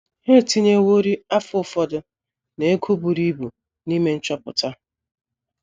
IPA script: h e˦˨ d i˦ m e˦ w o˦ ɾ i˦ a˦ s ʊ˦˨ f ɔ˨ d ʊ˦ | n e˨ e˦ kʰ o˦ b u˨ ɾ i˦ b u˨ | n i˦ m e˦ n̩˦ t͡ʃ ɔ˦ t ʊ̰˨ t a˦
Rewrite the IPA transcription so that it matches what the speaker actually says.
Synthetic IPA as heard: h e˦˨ t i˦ ɲ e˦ w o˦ ɾ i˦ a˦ f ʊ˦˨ f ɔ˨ d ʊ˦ | n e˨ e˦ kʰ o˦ b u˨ ɾ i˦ b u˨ | n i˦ m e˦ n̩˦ t͡ʃ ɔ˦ p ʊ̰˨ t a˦